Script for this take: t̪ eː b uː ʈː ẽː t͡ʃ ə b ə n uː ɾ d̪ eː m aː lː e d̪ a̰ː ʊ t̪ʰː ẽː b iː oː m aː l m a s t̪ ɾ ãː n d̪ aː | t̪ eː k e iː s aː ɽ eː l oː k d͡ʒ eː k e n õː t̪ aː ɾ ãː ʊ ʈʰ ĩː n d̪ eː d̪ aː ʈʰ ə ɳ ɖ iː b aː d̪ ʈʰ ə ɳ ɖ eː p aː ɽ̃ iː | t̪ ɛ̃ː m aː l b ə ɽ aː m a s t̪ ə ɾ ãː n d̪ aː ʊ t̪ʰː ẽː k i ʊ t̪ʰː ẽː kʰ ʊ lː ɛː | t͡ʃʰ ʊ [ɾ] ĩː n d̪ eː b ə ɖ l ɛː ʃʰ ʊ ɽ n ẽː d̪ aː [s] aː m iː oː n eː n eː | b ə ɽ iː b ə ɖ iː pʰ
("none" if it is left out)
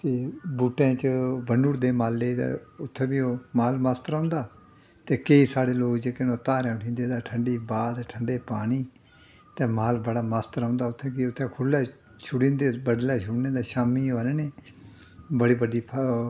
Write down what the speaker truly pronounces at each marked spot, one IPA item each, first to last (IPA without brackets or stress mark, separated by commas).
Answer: ɽ, ʃ